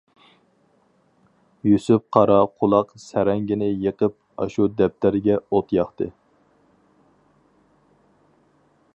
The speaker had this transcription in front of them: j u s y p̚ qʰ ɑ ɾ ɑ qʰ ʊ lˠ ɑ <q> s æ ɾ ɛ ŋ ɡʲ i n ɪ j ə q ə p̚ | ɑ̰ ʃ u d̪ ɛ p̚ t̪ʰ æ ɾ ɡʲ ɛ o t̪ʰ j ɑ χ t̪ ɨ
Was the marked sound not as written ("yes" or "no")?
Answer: no